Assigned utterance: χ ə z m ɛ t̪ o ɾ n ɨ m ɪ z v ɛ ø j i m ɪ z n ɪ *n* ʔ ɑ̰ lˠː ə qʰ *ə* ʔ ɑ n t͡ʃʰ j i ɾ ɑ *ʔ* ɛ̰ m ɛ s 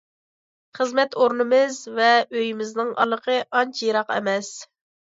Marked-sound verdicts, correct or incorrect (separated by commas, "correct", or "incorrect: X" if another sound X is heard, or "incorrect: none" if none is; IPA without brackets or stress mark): incorrect: ŋ, correct, incorrect: q